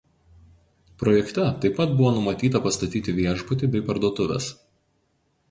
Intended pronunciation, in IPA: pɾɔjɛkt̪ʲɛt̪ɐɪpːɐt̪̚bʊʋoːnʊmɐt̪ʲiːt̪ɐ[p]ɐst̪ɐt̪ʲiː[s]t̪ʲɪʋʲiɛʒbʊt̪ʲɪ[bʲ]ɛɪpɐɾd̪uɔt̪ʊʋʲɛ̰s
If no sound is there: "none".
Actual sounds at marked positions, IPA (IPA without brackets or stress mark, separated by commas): p, none, bʲ